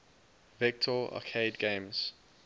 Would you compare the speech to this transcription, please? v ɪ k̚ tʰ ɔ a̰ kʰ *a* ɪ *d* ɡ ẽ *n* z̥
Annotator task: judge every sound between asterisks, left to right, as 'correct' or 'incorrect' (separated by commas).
incorrect, correct, incorrect